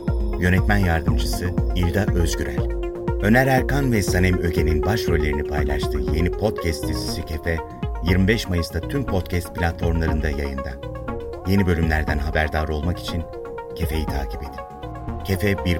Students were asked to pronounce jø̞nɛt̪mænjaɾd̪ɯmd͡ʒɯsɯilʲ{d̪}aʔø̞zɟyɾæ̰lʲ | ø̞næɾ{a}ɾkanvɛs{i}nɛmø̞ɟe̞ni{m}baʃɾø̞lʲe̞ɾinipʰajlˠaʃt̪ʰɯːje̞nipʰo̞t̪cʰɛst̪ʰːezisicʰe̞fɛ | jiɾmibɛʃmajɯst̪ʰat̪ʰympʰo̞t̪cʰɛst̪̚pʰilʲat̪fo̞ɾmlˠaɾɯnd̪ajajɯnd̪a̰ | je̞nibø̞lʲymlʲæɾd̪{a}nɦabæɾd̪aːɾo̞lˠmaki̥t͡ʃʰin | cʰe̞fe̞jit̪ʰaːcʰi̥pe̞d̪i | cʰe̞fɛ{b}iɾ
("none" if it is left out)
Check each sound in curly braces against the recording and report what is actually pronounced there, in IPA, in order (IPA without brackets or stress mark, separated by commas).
d̪, æ, a, n, æ, b